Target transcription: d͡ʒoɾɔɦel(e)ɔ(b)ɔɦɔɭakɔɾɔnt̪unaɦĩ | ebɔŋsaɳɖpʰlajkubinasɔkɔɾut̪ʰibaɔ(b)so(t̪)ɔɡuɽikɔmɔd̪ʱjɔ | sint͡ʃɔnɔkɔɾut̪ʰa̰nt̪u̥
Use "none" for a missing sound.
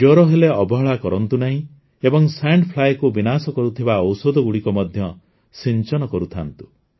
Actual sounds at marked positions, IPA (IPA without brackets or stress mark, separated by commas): e, b, w, d̪